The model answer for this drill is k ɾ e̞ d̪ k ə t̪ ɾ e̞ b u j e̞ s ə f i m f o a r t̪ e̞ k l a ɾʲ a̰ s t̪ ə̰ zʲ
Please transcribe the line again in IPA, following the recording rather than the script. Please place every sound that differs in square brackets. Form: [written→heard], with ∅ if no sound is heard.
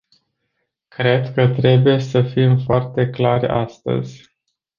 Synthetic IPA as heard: k ɾ e̞ d̪ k ə t̪ ɾ e̞ b u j e̞ s ə f i m f o a r t̪ e̞ k l a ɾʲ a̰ s t̪ ə̰ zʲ